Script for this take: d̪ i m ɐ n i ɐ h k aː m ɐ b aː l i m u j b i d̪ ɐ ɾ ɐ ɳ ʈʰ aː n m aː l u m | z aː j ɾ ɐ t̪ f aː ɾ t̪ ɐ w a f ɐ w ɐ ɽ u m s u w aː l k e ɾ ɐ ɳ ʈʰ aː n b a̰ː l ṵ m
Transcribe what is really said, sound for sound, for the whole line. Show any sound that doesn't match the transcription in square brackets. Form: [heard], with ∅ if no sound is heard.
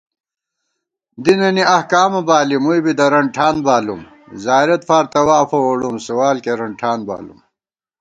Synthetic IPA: d̪ i [n] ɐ n i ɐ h k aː m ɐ b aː l i m u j b i d̪ ɐ ɾ ɐ ɳ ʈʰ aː n [b] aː l u m | z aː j ɾ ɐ t̪ f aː ɾ t̪ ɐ w a f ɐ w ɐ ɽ u m s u w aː l k e ɾ ɐ ɳ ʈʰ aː n b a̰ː l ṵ m